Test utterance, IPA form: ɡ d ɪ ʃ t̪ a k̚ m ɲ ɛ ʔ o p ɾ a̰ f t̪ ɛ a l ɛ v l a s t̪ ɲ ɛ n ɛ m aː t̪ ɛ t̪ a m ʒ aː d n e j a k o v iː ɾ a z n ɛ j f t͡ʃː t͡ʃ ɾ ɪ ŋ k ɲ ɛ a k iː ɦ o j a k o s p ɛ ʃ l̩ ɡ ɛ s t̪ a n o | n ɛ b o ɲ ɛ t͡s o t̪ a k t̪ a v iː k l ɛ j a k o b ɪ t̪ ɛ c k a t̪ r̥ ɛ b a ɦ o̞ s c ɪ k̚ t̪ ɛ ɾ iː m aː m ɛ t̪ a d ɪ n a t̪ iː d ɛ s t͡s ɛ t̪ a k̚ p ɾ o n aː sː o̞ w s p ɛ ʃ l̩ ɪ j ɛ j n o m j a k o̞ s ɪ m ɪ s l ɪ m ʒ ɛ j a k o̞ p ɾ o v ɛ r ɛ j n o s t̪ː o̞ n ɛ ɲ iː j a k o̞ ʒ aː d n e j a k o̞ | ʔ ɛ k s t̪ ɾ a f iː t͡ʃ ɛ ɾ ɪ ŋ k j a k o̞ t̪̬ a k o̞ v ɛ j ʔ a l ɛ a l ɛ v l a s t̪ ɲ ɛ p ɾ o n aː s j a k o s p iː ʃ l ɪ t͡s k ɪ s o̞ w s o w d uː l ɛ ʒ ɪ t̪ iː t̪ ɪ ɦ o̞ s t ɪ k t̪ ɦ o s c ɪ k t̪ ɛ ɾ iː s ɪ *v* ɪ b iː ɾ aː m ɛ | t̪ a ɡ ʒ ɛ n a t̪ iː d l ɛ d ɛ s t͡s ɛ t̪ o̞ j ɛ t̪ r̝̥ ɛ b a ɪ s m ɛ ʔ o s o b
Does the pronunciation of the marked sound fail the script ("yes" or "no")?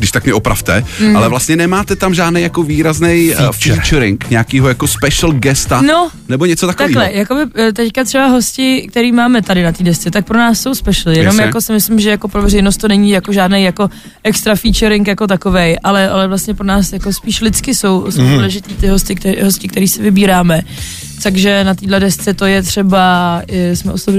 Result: no